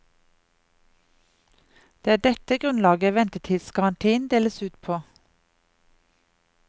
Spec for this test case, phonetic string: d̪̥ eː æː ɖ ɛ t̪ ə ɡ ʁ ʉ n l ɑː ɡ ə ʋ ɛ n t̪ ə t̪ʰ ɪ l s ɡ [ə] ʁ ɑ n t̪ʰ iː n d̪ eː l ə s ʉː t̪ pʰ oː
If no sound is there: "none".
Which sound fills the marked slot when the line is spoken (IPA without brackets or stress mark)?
ɑ